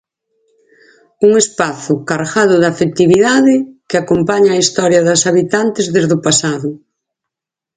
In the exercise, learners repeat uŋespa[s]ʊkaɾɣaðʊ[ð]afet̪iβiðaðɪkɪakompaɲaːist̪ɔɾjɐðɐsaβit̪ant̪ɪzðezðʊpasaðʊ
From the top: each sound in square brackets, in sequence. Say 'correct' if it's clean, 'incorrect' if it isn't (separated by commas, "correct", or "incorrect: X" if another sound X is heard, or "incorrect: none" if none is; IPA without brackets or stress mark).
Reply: incorrect: θ, correct